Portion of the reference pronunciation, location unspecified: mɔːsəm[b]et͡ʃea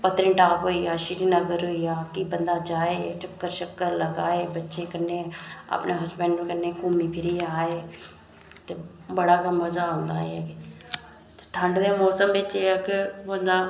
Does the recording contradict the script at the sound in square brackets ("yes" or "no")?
no